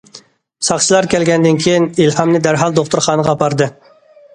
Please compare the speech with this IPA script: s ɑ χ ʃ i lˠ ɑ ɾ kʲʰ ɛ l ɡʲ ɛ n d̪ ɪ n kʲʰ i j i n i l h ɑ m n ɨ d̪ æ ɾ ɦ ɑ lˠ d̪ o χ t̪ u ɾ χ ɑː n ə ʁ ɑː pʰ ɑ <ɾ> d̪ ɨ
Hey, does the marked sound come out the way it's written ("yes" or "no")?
yes